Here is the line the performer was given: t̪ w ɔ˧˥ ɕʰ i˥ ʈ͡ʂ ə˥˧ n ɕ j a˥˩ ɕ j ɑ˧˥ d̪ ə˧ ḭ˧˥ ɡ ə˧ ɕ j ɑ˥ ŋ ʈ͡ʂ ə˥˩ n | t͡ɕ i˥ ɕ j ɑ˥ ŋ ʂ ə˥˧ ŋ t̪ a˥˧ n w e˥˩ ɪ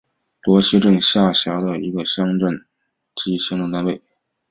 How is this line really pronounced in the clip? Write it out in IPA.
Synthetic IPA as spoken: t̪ w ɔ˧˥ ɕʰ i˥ ʈ͡ʂ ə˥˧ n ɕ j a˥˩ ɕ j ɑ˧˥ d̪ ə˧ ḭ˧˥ ɡ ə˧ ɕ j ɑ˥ ŋ ʈ͡ʂ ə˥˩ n | t͡ɕ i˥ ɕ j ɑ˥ ŋ ʈ͡ʂ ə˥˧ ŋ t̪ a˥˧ n w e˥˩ ɪ